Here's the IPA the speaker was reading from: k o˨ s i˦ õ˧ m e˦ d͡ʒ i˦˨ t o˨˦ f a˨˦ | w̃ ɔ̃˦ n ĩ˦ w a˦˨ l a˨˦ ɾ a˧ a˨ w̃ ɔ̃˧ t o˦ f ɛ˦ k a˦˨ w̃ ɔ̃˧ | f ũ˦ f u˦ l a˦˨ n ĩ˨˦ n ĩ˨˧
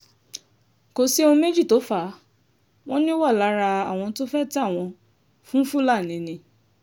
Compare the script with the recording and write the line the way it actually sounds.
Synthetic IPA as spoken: k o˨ s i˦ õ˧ m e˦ d͡ʒ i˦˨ t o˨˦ f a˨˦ | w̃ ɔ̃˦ n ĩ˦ w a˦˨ l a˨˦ ɾ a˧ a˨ w̃ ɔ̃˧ t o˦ f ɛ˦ t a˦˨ w̃ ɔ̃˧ | f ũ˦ f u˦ l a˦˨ n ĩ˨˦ n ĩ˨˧

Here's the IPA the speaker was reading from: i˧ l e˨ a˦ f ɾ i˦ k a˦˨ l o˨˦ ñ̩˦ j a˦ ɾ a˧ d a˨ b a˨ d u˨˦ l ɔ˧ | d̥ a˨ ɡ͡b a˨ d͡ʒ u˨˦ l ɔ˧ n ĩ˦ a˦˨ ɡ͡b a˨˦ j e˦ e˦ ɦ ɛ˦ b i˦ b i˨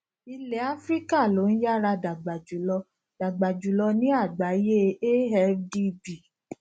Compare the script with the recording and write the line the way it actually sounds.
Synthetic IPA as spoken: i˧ l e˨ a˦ f ɾ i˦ k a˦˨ l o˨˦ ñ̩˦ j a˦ ɾ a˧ d a˨ ɡ͡b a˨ d͡ʒ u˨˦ l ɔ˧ | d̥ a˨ ɡ͡b a˨ d͡ʒ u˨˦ l ɔ˧ n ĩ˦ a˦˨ ɡ͡b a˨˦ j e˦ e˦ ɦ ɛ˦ d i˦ b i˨

